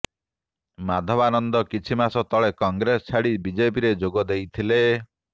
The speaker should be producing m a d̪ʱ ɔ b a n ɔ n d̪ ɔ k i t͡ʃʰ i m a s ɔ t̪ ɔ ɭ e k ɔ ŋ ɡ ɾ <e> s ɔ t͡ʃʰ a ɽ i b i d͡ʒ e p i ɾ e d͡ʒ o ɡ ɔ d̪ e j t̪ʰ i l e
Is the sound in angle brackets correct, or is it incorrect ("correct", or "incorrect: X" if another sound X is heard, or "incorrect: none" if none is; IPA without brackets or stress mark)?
correct